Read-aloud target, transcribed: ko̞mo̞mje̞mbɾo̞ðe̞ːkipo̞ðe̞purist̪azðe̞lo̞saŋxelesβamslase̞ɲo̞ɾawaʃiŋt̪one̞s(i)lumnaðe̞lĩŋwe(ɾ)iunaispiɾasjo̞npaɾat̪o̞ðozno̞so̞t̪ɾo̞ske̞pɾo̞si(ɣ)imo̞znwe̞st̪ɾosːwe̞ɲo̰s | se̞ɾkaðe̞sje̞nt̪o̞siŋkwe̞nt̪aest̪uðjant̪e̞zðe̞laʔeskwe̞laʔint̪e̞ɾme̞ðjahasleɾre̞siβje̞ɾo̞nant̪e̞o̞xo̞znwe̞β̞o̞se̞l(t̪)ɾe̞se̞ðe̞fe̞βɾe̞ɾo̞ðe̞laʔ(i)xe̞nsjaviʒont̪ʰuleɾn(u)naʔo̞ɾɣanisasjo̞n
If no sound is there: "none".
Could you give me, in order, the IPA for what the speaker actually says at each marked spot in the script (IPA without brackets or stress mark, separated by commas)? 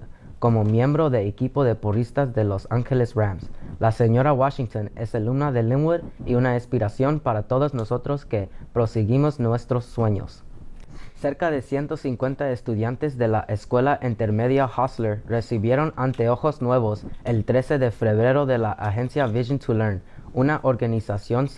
e, ɾ, ɣ, t̪, a, u